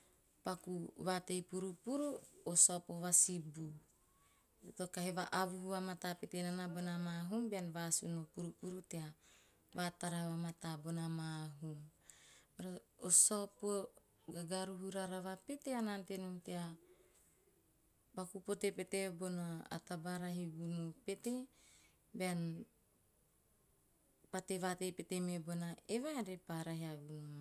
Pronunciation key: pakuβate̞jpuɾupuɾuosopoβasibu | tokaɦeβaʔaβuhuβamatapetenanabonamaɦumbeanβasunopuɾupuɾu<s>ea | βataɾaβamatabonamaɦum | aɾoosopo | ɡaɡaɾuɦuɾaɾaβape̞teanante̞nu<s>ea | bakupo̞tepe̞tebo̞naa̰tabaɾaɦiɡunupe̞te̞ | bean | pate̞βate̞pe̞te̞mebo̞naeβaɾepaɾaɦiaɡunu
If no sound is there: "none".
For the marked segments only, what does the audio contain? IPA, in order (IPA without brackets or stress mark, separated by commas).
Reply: t, t